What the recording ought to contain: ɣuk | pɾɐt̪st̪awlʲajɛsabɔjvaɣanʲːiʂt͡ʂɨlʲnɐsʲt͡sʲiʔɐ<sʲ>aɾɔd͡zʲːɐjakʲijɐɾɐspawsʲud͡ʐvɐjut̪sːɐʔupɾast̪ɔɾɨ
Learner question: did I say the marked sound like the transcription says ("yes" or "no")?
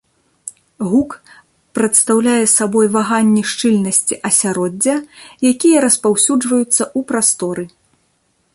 yes